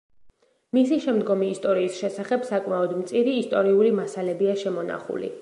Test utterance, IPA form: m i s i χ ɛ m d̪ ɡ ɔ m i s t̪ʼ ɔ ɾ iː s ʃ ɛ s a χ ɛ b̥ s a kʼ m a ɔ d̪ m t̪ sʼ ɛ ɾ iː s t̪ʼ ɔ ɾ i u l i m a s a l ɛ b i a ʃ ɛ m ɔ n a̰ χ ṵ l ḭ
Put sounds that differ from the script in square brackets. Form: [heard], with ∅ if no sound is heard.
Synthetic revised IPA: m i s i [ʃ] ɛ m d̪ ɡ ɔ m [iː] s t̪ʼ ɔ ɾ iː s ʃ ɛ s a χ ɛ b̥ s a kʼ m a ɔ d̪ m t̪ sʼ [i] ɾ iː s t̪ʼ ɔ ɾ i u l i m a s a l ɛ b i a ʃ ɛ m ɔ n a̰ χ ṵ l ḭ